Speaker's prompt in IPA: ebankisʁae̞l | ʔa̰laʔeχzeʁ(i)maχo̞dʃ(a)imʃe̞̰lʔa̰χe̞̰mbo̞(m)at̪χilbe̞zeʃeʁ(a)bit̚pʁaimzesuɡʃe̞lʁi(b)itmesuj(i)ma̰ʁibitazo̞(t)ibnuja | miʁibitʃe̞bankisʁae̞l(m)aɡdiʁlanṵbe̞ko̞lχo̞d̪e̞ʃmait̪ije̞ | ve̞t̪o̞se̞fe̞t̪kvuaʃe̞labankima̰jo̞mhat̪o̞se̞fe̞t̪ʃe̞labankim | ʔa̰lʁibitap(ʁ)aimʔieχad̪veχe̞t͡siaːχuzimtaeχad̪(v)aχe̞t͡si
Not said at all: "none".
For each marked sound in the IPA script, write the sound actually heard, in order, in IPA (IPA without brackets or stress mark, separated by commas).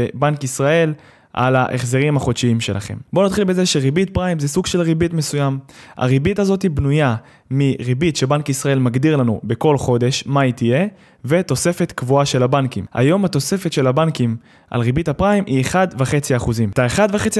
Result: i, i, n, i, b, a, t, m, ʁ, v